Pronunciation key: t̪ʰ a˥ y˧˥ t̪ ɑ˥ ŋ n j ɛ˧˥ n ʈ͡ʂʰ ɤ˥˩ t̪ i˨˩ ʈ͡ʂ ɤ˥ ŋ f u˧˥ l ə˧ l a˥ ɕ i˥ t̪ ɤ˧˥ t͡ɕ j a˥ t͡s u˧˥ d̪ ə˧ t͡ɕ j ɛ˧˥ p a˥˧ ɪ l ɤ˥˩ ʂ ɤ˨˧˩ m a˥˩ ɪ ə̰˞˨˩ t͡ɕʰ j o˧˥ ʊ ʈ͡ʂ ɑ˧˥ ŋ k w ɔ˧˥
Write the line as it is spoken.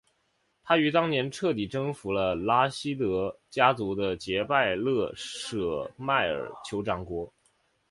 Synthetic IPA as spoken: t̪ʰ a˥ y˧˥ t̪ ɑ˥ ŋ n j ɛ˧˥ n ʈ͡ʂʰ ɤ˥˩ t̪ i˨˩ ʈ͡ʂ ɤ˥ ŋ f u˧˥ l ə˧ l a˥ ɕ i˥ t̪ ɤ˧˥ t͡ɕ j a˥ t͡s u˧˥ d̪ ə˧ t͡ɕ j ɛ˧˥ p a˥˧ ɪ l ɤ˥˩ ʂ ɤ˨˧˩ m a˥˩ ɪ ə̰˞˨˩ t͡ɕʰ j o˧˥ ʊ ʈ͡ʂ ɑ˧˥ ŋ k w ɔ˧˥